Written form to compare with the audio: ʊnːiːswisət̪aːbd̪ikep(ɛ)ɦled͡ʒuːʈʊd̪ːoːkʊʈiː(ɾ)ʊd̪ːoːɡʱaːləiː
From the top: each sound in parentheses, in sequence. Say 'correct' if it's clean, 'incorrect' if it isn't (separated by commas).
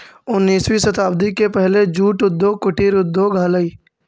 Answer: correct, correct